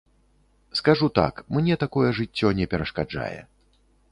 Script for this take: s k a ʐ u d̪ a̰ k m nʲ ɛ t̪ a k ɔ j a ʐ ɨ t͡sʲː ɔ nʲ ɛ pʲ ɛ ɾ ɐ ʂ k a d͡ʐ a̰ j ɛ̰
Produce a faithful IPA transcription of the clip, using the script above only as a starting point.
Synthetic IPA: s k a ʐ u t̪ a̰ k m nʲ ɛ t̪ a k ɔ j ɛ ʐ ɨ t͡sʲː ɔ nʲ ɛ pʲ ɛ ɾ ɐ ʂ k a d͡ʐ a̰ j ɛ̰